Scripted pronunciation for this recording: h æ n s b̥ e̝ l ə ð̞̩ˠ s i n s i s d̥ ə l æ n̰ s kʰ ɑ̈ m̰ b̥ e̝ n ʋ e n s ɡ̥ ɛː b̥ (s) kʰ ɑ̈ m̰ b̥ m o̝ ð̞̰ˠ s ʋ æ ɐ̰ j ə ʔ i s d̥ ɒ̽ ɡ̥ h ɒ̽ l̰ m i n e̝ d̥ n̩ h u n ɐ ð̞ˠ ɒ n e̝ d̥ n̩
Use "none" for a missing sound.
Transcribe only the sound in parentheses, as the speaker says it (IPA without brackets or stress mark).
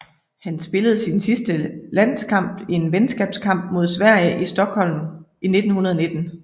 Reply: s